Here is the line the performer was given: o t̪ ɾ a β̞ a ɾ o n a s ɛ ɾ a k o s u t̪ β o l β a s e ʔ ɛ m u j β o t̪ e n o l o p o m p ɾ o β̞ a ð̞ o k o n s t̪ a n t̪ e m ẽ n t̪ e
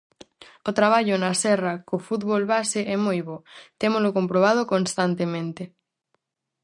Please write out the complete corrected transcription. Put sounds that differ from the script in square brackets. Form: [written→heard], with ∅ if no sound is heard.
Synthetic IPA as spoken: o t̪ ɾ a β̞ a [ɾ→ʎ] o n a s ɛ [ɾ→r] a k o [s→f] u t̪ β o l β a s e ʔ ɛ m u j β o t̪ e [n→m] o l o [p→k] o m p ɾ o β̞ a ð̞ o k o n s t̪ a n t̪ e m ẽ n t̪ e